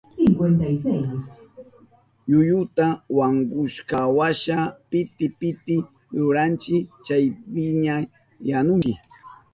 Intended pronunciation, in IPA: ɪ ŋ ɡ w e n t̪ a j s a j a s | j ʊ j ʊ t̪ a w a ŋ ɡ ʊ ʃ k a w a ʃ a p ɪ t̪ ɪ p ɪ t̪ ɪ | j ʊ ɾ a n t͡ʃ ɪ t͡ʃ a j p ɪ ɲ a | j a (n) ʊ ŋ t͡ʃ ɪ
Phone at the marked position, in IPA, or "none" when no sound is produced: n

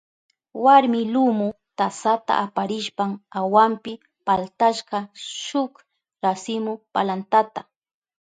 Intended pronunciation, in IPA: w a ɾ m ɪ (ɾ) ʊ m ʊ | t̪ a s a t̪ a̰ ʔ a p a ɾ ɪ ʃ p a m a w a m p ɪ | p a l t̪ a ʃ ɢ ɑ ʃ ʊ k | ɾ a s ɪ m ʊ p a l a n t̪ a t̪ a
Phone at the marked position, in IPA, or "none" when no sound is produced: l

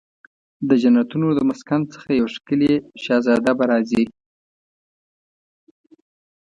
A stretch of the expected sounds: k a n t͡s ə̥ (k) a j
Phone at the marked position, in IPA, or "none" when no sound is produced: x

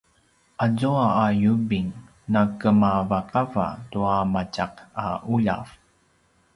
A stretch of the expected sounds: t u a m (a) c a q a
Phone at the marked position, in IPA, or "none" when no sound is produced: a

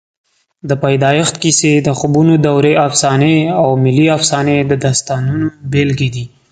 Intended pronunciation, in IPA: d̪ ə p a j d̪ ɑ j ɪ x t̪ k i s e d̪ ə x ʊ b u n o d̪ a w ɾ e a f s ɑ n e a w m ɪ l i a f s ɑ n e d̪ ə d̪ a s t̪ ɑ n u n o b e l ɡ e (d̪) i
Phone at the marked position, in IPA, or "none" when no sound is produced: d̪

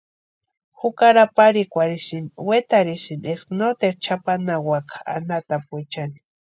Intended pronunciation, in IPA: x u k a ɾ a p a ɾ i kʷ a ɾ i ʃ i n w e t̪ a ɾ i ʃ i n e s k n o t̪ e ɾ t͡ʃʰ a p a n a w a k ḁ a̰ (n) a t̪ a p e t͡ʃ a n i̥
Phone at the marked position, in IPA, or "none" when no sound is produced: n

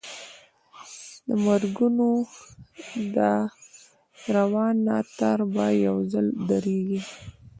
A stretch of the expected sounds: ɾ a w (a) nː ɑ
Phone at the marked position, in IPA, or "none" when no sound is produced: ɑ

